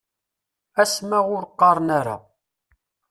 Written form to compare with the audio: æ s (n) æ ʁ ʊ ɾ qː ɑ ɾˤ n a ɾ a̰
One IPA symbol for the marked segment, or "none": m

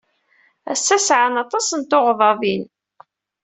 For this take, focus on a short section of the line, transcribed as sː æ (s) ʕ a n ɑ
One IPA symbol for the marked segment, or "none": s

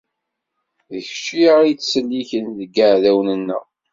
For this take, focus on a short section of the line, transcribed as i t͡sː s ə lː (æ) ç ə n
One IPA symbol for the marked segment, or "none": i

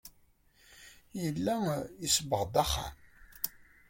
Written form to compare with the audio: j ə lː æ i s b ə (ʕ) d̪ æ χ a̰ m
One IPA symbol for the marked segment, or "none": ʁ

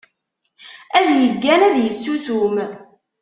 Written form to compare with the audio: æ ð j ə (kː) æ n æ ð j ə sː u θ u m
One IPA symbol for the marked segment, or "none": ɡː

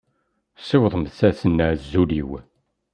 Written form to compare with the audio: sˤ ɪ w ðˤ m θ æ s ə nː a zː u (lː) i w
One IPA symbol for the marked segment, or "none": l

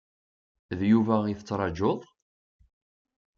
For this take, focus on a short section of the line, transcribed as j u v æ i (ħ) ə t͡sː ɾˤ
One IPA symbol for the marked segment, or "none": θ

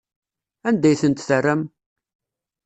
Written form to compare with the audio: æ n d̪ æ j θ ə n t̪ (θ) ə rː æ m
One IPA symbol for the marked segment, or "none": θ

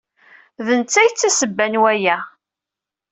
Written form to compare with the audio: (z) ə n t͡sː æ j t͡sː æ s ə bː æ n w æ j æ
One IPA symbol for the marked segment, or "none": ð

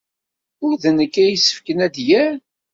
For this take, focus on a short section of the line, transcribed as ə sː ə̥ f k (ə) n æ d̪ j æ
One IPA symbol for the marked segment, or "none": ə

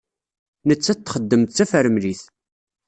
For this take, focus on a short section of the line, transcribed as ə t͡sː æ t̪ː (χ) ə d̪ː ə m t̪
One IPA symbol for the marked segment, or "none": χ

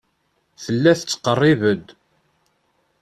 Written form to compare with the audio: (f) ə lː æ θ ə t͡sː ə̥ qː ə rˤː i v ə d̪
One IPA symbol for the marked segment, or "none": θ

